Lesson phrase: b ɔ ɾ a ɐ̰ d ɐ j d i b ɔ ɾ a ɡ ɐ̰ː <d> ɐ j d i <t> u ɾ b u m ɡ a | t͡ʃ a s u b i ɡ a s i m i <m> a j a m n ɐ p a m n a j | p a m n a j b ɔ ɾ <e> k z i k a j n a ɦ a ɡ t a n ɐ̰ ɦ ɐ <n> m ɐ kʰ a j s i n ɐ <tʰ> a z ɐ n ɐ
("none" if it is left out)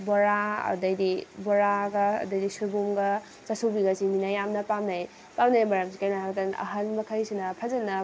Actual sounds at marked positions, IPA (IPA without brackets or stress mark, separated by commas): d, s, n, a, n, pʰ